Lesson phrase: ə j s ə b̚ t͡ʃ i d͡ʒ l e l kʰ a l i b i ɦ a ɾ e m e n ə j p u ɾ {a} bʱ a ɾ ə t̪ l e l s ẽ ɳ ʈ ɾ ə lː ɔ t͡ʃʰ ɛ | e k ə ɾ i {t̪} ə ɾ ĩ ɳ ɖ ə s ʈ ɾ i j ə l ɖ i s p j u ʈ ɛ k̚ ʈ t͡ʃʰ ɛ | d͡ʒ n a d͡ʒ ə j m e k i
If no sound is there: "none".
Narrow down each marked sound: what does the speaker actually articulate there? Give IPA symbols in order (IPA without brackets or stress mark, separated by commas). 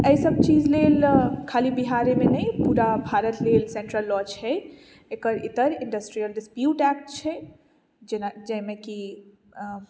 a, t̪